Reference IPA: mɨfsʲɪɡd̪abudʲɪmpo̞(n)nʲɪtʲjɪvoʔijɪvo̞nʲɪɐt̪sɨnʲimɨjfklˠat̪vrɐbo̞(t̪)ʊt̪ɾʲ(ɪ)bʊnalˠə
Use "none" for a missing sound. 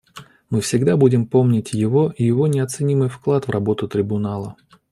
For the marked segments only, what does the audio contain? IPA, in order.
m, t̪, ɪ

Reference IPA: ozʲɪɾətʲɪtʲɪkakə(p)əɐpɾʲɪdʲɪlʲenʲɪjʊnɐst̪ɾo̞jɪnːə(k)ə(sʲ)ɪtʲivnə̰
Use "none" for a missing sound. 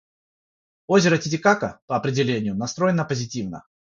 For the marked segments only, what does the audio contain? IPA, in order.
p, p, zʲ

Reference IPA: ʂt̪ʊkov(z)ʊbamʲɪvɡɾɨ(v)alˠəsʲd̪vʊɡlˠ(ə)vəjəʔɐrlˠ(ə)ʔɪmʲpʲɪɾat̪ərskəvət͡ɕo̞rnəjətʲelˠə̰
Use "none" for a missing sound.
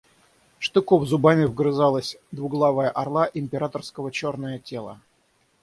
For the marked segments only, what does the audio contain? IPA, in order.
z, z, a, a

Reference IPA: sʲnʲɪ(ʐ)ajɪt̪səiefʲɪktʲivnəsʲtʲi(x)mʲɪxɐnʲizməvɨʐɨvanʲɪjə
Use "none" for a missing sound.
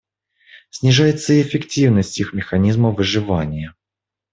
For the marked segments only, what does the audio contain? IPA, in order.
ʐ, x

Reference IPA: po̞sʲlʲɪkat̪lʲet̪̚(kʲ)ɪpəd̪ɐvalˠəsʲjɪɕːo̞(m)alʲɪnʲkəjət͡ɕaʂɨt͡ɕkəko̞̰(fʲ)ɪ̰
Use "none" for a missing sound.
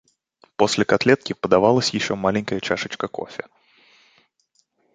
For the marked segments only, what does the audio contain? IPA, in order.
kʲ, m, fʲ

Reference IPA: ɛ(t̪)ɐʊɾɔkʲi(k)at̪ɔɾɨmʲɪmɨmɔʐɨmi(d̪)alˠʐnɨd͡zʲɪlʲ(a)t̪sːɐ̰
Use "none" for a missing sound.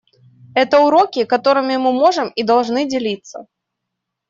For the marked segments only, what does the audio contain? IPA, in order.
t̪, k, d̪, i

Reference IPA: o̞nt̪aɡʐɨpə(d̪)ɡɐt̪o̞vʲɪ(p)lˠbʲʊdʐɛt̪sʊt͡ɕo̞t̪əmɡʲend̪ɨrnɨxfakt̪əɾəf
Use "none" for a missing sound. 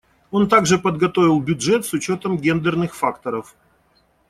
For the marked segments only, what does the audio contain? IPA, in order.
d̪, none

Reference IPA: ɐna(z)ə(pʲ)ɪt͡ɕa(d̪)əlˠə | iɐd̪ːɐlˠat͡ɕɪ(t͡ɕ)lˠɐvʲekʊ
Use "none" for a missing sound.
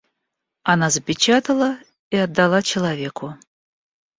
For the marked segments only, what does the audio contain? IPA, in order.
z, pʲ, t̪, none

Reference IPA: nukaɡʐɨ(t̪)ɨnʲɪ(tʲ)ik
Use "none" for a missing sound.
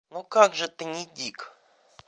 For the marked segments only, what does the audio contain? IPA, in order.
t̪, dʲ

